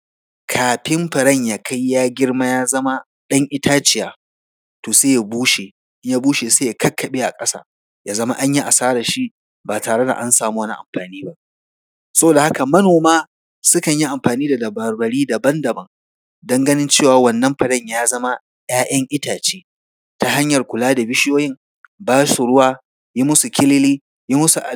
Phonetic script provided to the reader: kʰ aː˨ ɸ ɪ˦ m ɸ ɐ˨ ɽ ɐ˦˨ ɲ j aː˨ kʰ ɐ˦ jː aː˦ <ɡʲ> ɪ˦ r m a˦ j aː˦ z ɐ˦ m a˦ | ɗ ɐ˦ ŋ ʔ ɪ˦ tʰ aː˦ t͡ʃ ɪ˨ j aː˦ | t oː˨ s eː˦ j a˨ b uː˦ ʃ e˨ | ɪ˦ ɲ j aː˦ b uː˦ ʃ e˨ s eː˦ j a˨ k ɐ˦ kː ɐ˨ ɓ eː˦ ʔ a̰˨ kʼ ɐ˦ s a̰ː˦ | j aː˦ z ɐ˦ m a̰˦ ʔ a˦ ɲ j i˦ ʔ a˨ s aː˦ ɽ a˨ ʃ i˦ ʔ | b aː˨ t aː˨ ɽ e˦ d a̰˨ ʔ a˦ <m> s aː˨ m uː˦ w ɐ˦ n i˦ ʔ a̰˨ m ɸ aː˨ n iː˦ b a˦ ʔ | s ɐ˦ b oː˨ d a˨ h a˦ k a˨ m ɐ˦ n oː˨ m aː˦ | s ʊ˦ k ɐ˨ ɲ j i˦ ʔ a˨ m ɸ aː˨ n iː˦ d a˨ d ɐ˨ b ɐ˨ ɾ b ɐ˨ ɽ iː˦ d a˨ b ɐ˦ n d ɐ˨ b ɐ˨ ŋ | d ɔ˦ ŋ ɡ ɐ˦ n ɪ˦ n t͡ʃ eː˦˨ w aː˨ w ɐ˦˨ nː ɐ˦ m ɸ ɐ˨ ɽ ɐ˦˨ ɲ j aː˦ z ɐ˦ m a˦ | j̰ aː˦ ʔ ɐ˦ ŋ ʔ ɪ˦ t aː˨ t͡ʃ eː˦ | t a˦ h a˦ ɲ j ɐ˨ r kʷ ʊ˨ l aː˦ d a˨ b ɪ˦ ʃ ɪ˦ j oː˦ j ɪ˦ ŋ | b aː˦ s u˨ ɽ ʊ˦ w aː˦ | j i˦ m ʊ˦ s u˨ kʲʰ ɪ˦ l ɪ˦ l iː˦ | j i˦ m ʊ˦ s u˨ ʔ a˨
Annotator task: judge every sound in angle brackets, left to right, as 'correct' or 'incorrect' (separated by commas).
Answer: correct, incorrect